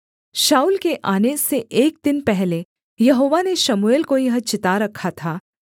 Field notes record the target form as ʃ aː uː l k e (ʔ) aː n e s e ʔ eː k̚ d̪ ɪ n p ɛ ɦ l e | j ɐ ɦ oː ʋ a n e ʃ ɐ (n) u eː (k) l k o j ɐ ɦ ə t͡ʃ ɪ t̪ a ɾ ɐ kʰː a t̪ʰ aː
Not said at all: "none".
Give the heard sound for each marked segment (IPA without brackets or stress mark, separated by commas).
ʔ, m, none